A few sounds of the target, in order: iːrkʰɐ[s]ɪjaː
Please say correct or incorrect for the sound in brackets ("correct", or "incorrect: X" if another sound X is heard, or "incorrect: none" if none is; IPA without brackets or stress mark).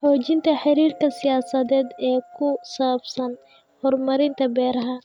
correct